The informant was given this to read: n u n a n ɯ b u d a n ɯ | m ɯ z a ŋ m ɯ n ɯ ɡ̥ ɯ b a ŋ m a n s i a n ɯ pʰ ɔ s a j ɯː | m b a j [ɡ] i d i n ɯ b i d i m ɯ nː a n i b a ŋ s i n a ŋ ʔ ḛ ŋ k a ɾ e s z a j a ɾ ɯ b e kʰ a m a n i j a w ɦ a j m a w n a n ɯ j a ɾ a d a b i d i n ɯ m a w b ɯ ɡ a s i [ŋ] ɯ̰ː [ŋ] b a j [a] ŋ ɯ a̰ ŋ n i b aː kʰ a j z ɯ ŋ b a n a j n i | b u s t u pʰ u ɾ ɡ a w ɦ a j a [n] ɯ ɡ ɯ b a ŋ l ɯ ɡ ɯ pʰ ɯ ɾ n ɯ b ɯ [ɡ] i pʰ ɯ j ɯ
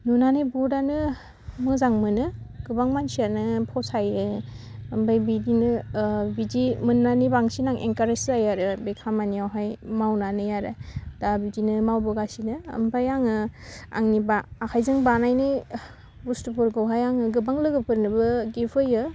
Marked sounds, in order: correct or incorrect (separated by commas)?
incorrect, incorrect, incorrect, correct, incorrect, correct